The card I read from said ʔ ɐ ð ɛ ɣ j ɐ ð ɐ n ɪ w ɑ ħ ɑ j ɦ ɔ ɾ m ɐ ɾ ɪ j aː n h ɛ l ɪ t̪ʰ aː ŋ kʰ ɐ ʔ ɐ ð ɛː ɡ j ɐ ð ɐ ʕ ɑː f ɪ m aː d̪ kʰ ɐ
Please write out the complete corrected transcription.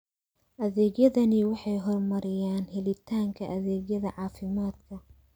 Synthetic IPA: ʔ ɐ ð ɛː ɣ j ɐ ð ɐ n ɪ w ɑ ħ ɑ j ɦ ɔ r m ɐ ɾ ɪ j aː n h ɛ l ɪ t̪ʰ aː ŋ kʰ ɐ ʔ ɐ ð ɛː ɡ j ɐ ð ɐ ʕ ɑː f ɪ m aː d̪ kʰ ɐ